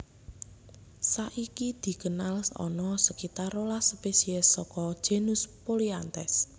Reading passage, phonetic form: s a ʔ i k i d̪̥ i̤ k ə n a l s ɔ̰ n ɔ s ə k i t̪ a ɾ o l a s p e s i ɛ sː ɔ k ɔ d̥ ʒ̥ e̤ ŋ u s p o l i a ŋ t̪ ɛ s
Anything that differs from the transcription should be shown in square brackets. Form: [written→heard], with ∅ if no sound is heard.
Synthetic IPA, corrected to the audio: s a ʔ i k i d̪̥ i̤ k ə n a l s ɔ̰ n ɔ s ə k i t̪ a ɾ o l a s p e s i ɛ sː ɔ k ɔ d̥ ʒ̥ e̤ [ŋ→n] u s p o l i a [ŋ→n] t̪ ɛ s

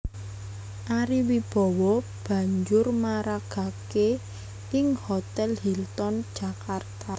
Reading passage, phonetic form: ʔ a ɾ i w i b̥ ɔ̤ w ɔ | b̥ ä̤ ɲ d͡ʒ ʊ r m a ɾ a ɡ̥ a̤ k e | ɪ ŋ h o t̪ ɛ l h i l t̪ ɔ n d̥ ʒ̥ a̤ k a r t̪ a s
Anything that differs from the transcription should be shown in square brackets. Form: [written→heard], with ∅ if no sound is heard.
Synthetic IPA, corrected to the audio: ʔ a ɾ i w i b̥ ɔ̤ w ɔ | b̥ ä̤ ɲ d͡ʒ ʊ r m a ɾ a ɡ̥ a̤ k e | ɪ ŋ h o t̪ ɛ l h i l t̪ ɔ n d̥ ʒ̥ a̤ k a r t̪ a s

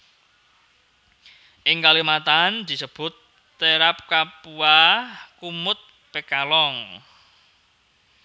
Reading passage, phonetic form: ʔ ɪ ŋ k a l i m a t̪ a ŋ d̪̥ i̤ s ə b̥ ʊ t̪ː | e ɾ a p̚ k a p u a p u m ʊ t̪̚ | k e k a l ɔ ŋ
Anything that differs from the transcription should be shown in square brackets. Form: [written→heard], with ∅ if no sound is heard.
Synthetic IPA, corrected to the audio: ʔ ɪ ŋ k a l i m a t̪ a [ŋ→n] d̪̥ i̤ s ə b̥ ʊ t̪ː | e ɾ a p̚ k a p u a [p→k] u m ʊ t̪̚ | [k→p] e k a l ɔ ŋ

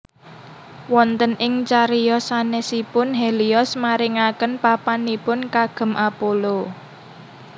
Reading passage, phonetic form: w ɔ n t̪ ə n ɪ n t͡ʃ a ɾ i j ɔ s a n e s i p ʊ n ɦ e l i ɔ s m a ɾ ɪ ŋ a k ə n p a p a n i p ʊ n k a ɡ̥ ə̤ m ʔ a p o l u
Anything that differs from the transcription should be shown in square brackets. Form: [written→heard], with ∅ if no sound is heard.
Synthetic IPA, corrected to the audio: w ɔ n t̪ ə n ɪ [n→ŋ] t͡ʃ a ɾ i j ɔ s a n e s i p ʊ n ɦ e l i ɔ s m a ɾ ɪ ŋ a k ə n p a p a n i p ʊ n k a ɡ̥ ə̤ m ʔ a p o l [u→o]

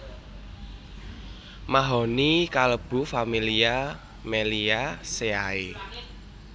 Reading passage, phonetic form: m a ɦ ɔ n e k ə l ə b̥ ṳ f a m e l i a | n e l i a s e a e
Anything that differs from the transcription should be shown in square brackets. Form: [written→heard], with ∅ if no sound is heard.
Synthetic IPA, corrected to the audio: m a ɦ ɔ n [e→i] k [ə→a] l ə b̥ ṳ f a m [e→i] l i a | [n→m] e l i a s e a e

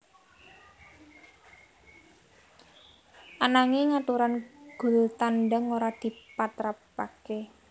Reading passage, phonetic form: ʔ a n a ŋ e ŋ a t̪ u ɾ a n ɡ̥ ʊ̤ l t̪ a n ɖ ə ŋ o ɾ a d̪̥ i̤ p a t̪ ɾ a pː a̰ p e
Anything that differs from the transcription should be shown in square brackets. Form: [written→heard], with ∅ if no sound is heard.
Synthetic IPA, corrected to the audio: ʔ a n a ŋ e ŋ a t̪ u ɾ a n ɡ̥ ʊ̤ l t̪ a n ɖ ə ŋ o ɾ a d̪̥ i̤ p a t̪ ɾ a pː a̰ [p→k] e

